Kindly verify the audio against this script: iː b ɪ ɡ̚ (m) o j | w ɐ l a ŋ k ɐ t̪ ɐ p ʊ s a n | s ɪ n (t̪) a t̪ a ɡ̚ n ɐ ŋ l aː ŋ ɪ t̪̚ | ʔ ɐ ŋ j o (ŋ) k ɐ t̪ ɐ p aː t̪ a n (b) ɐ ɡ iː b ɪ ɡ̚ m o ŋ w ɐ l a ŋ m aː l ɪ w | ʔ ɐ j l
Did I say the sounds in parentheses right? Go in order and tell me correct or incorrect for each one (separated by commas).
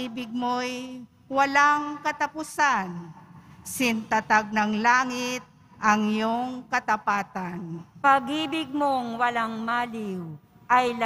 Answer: correct, correct, correct, incorrect